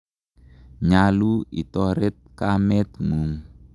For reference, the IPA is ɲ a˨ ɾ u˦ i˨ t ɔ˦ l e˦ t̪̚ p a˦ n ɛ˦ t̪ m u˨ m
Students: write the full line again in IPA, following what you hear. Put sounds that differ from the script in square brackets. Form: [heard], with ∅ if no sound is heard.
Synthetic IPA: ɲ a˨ [l] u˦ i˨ t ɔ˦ [ɾ] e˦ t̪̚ [k] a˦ [m] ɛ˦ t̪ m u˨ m